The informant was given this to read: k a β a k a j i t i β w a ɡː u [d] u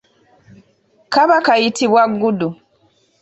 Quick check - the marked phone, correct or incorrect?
correct